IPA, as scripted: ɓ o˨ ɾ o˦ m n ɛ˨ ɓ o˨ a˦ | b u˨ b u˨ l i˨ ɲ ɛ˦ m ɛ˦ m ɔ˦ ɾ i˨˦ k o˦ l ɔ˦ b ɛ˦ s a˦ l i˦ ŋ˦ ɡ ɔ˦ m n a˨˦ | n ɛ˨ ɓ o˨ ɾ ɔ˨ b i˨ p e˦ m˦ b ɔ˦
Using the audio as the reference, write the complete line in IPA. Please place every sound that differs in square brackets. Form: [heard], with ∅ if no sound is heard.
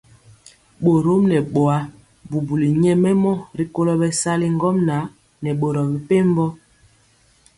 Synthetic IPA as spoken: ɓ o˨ ɾ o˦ m n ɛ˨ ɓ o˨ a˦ | b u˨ b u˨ l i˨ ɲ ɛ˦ m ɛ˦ m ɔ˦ ɾ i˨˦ k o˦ l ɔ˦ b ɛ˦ s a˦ l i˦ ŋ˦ ɡ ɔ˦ m n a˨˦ | n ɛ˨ ɓ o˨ ɾ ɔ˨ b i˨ p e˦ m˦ b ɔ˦